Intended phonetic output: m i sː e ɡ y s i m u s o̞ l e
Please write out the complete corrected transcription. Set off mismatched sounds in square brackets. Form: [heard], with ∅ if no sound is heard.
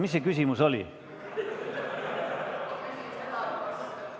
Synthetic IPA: m i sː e [k] y s i m u s o̞ l [i]